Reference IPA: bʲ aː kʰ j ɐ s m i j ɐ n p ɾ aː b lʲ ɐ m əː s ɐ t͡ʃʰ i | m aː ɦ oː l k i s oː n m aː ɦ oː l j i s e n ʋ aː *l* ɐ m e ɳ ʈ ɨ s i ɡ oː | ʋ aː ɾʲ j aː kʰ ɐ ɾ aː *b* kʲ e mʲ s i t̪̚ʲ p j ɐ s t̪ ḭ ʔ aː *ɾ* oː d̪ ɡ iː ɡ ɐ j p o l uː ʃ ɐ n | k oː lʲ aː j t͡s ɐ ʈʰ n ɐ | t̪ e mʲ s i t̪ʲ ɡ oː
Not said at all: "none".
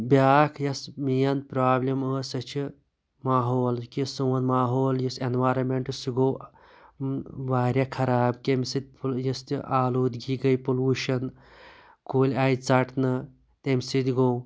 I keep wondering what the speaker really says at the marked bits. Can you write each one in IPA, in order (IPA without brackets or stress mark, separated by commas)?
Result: ɾ, b, l